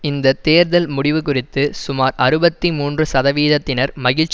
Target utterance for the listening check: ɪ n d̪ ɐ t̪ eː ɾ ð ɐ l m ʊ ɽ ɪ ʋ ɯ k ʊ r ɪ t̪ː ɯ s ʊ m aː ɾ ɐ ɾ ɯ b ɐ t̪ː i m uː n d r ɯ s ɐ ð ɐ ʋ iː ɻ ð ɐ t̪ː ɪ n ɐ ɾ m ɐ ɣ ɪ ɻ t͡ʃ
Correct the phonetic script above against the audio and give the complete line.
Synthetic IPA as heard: ɪ n d̪ ɐ t̪ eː ɾ ð ɐ l m ʊ ɽ ɪ ʋ ɯ k ʊ r ɪ t̪ː ɯ s ʊ m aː ɾ ɐ ɾ ɯ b ɐ t̪ː i m uː n d r ɯ s ɐ ð ɐ ʋ iː ð ɐ t̪ː ɪ n ɐ ɾ m ɐ ɣ ɪ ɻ t͡ʃ

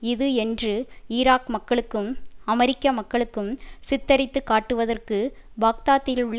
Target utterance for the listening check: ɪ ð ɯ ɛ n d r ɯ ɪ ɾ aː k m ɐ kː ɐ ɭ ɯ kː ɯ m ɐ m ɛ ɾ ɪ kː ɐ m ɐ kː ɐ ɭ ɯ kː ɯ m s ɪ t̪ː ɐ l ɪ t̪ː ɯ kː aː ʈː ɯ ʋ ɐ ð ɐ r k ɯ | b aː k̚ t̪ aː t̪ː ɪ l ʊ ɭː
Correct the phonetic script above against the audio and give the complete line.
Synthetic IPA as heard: ɪ ð ɯ ɛ n d r ɯ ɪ ɾ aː k m ɐ kː ɐ ɭ ɯ kː ɯ m ɐ m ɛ ɾ ɪ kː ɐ m ɐ kː ɐ ɭ ɯ kː ɯ m s ɪ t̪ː ɐ ɾ ɪ t̪ː ɯ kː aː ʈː ɯ ʋ ɐ ð ɐ r k ɯ | b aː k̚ t̪ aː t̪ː ɪ l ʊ ɭː

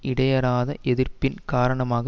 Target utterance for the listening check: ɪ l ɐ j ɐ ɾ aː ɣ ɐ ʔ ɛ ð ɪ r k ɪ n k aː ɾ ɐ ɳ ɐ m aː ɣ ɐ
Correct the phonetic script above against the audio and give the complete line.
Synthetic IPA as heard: ɪ ɽ ɐ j ɐ ɾ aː ð ɐ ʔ ɛ ð ɪ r p ɪ n k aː ɾ ɐ ɳ ɐ m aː ɣ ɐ

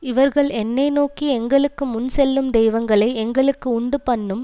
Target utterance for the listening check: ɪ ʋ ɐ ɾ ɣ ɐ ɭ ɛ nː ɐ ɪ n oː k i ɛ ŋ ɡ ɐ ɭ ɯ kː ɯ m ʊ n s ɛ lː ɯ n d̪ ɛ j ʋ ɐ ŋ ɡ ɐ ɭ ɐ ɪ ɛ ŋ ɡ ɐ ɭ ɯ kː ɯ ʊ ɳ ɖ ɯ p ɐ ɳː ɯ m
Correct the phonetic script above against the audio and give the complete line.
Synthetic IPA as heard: ɪ ʋ ɐ ɾ ɣ ɐ ɭ ɛ nː ɐ ɪ n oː k i ɛ ŋ ɡ ɐ ɭ ɯ kː ɯ m ʊ n s ɛ lː ɯ m d̪ ɛ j ʋ ɐ ŋ ɡ ɐ ɭ ɐ ɪ ɛ ŋ ɡ ɐ ɭ ɯ kː ɯ ʊ ɳ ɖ ɯ p ɐ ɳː ɯ m

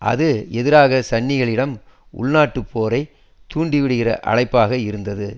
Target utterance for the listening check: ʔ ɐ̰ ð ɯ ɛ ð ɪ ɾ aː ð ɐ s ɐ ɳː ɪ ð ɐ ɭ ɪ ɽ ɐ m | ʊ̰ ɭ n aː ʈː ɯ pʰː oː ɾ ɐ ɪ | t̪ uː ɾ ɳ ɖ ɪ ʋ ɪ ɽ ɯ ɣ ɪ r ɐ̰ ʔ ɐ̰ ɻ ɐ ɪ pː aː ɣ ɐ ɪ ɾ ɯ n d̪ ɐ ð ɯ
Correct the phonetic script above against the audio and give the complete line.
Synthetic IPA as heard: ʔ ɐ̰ ð ɯ ɛ ð ɪ ɾ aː ɣ ɐ s ɐ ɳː ɪ ɣ ɐ ɭ ɪ ɽ ɐ m | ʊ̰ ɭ n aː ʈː ɯ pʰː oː ɾ ɐ ɪ | t̪ uː ɳ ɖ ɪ ʋ ɪ ɽ ɯ ɣ ɪ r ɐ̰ ʔ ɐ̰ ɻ ɐ ɪ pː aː ɣ ɐ ɪ ɾ ɯ n d̪ ɐ ð ɯ

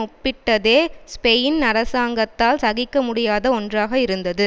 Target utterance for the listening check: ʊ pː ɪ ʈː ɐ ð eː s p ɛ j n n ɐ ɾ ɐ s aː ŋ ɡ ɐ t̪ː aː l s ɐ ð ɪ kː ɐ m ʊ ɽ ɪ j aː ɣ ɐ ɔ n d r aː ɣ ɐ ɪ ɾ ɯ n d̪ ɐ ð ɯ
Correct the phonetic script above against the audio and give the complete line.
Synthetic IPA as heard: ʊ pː ɪ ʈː ɐ ð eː s p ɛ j n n ɐ ɾ ɐ s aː ŋ ɡ ɐ t̪ː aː l s ɐ ɣ ɪ kː ɐ m ʊ ɽ ɪ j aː ð ɐ ɔ n d r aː ɣ ɐ ɪ ɾ ɯ n d̪ ɐ ð ɯ

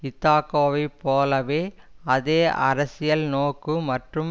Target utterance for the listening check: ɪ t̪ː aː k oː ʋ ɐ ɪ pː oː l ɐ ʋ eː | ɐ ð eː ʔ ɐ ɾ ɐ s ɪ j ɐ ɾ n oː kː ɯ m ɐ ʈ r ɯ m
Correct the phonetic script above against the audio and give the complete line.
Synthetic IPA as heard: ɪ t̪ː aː k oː ʋ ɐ ɪ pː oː l ɐ ʋ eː | ɐ ð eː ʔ ɐ ɾ ɐ s ɪ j ɐ l n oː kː ɯ m ɐ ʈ r ɯ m

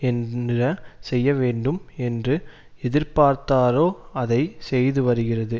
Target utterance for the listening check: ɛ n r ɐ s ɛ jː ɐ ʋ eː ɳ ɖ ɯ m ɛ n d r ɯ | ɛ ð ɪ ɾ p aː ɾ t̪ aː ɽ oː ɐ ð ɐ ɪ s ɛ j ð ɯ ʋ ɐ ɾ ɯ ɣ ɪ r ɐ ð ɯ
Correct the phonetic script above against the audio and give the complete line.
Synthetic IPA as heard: ɛ n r ɐ s ɛ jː ɐ ʋ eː ɳ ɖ ɯ m ɛ n d r ɯ | ɛ ð ɪ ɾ p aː ɾ t̪ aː ɾ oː ɐ ð ɐ ɪ s ɛ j ð ɯ ʋ ɐ ɾ ɯ ɣ ɪ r ɐ ð ɯ

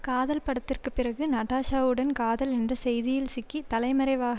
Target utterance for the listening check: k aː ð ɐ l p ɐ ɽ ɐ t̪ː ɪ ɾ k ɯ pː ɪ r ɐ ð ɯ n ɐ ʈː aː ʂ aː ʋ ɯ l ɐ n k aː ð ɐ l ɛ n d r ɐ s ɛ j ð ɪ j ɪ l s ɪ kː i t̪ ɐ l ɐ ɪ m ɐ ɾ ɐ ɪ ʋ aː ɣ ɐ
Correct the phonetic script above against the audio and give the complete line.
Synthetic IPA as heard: k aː ð ɐ l p ɐ ɽ ɐ t̪ː ɪ r k ɯ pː ɪ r ɐ ɣ ɯ n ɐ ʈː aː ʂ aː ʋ ɯ ɽ ɐ n k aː ð ɐ l ɛ n d r ɐ s ɛ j ð ɪ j ɪ l s ɪ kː i t̪ ɐ l ɐ ɪ m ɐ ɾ ɐ ɪ ʋ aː ɣ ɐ

